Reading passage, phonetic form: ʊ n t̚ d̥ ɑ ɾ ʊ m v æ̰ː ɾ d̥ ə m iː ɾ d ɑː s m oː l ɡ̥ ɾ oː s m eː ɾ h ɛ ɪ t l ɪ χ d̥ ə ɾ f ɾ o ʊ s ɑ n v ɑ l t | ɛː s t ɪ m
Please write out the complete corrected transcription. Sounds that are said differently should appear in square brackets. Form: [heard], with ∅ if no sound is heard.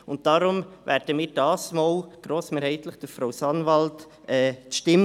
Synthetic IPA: ʊ n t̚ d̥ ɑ ɾ ʊ m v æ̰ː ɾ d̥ ə m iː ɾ d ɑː s m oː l ɡ̥ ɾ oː s m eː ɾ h ɛ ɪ t l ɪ χ d̥ ə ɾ f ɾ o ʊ s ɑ n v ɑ l t | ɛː [ʃ] t ɪ m